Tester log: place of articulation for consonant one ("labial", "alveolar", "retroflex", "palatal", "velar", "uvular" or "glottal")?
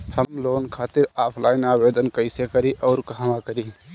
glottal